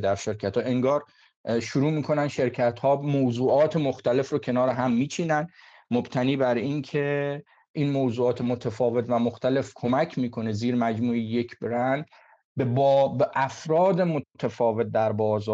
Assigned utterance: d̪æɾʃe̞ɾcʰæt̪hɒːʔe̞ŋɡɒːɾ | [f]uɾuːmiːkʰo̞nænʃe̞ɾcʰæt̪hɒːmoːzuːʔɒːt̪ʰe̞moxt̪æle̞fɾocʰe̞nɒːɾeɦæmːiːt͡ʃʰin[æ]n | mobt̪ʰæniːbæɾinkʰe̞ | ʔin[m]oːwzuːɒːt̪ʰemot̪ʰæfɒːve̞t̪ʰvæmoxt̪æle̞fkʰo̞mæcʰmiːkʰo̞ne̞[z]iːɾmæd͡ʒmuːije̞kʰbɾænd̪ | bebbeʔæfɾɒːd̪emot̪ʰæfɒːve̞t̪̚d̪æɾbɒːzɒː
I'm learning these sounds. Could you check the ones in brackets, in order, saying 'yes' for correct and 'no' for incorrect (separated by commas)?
no, yes, yes, yes